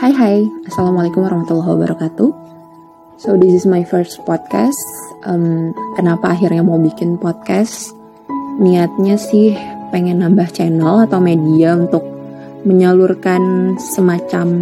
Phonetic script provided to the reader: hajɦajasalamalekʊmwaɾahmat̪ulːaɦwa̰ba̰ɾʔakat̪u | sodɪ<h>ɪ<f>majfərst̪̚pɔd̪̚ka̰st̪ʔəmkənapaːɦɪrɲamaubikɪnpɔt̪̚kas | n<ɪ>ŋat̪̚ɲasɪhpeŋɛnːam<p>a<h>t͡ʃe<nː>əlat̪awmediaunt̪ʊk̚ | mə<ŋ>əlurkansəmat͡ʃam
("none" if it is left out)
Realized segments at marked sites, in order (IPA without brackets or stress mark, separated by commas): s, s, i, b, h, n, ɲ